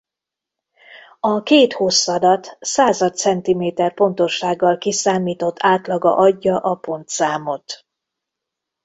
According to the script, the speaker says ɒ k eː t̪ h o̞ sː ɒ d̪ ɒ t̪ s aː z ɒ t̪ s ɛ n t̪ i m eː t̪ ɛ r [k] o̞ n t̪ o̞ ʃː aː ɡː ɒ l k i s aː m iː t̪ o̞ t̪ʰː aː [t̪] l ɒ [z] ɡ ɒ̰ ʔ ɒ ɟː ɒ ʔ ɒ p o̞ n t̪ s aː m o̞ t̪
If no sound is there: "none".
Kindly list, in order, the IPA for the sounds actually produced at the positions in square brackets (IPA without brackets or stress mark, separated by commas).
p, t̪, none